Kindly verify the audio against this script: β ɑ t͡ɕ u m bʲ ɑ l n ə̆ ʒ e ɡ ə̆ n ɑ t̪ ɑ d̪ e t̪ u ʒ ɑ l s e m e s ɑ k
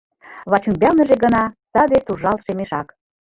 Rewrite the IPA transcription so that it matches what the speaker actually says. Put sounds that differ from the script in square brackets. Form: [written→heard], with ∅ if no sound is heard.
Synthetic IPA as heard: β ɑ t͡ɕ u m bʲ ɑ l n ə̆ ʒ e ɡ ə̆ n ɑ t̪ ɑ d̪ e t̪ u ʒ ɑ l [s→ʃ] e m e [s→ʃ] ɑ k

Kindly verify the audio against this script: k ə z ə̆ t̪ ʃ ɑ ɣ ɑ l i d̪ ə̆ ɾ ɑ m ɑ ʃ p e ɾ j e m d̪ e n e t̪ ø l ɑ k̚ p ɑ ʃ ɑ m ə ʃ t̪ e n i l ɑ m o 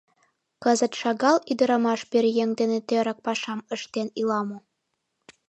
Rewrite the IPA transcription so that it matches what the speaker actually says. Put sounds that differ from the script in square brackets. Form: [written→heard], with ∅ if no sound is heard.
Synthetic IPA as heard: k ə z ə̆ t̪ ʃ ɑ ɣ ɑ l i d̪ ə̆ ɾ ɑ m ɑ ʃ p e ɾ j e [m→ŋ] d̪ e n e t̪ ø [l→ɾ] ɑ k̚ p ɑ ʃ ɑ m ə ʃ t̪ e n i l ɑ m o

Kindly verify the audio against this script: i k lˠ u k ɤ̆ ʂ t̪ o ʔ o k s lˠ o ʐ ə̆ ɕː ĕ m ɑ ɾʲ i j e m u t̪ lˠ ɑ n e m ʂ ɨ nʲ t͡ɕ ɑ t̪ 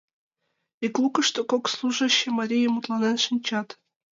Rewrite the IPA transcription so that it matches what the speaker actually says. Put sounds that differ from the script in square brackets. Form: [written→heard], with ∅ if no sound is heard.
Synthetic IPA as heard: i k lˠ u k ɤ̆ ʂ t̪ o [ʔ→k] o k s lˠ [o→u] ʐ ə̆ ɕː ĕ m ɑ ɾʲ i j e m u t̪ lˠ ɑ n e [m→n] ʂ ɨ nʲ t͡ɕ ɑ t̪

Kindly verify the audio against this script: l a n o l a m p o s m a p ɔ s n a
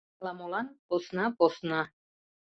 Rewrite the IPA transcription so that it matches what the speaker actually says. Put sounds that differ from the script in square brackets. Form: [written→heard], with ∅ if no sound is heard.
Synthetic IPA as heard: l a [n→m] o l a [m→n] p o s [m→n] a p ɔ s n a

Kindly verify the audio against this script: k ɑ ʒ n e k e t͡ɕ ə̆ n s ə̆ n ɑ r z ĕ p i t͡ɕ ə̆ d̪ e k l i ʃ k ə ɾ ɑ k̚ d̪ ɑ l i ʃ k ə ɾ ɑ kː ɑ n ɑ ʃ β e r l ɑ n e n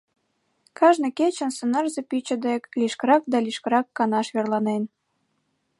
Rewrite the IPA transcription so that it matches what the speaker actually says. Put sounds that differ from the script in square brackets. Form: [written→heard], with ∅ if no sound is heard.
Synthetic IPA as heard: k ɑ ʒ n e k e t͡ɕ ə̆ n s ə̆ n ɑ r z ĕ p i t͡ɕ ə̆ d̪ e k l i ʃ k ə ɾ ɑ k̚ d̪ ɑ l i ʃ k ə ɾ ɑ kː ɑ n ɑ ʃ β e r l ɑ n e n

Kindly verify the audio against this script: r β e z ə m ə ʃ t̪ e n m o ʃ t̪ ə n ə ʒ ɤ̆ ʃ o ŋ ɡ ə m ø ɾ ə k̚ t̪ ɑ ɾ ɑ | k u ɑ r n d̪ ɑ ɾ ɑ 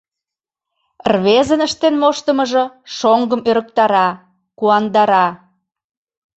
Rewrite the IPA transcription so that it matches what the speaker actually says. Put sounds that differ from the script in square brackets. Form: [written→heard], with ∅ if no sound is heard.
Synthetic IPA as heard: r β e z ə [m→n] ə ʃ t̪ e n m o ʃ t̪ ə [n→m] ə ʒ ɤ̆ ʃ o ŋ ɡ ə m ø ɾ ə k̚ t̪ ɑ ɾ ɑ | k u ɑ [r→∅] n d̪ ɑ ɾ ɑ

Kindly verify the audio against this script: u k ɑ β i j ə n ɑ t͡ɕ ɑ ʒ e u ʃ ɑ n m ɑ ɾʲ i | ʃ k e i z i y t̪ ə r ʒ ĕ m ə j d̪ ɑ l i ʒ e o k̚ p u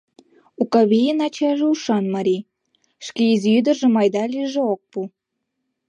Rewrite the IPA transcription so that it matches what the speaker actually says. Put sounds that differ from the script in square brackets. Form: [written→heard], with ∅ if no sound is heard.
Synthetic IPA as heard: u k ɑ β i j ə n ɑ t͡ɕ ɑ ʒ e u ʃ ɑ n m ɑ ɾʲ i | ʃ k e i z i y [t̪→d̪] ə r ʒ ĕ m [ə→ɑ] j d̪ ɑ l i ʒ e o k̚ p u

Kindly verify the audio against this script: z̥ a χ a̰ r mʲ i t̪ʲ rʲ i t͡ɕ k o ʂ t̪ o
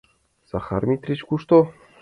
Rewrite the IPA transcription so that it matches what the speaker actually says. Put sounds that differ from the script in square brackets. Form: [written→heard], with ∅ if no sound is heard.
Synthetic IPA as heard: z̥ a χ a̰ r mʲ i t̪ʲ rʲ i t͡ɕ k [o→u] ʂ t̪ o

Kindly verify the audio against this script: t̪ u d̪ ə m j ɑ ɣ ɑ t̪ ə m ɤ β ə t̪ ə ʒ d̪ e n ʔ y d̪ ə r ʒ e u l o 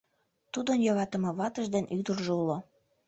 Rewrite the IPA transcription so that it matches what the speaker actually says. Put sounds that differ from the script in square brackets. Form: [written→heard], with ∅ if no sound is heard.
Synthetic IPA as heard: t̪ u d̪ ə [m→n] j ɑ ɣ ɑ t̪ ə m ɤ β [ə→ɑ] t̪ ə ʒ d̪ e n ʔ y d̪ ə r ʒ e u l o

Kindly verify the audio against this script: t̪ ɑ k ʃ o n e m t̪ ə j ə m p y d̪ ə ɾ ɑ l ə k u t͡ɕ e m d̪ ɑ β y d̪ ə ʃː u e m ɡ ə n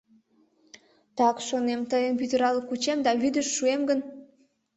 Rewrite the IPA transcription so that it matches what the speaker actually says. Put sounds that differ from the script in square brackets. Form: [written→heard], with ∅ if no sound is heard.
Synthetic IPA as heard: t̪ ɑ k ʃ o n e m t̪ ə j ə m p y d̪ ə ɾ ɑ l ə k u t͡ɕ e m d̪ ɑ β y d̪ ə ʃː u e m ɡ ə n

